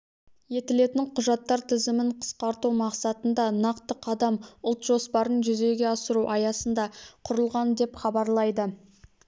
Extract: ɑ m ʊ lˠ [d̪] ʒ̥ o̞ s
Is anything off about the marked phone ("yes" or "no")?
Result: yes